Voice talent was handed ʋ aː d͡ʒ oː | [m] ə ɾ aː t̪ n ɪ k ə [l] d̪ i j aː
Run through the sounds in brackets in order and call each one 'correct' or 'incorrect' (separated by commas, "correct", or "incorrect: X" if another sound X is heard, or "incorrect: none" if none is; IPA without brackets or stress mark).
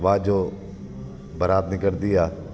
incorrect: b, incorrect: ɾ